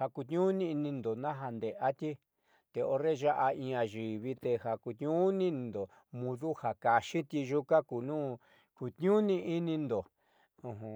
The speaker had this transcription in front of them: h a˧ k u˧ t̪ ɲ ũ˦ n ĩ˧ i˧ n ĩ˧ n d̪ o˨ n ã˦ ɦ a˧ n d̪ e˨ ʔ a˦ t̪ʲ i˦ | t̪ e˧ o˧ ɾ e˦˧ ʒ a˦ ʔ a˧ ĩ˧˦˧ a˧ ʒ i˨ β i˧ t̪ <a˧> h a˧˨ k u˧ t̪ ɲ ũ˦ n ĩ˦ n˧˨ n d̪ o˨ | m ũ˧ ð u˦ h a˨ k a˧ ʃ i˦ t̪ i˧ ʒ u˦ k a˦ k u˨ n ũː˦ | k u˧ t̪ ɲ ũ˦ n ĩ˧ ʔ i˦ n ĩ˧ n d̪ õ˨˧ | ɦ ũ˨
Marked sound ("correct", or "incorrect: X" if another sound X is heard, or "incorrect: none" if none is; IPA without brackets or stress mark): incorrect: e˧